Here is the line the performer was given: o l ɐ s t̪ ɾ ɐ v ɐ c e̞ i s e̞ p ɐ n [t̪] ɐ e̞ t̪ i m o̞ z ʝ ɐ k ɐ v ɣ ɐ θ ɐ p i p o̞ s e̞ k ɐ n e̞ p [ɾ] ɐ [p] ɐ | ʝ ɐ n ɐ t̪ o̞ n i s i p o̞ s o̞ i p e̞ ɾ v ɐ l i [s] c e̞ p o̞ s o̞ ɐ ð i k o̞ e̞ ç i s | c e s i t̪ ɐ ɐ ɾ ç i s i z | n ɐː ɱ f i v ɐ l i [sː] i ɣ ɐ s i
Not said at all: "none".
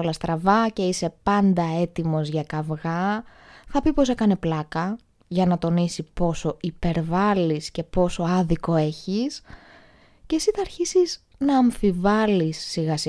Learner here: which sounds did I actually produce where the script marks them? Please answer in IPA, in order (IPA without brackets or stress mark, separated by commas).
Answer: d̪, l, k, s, sː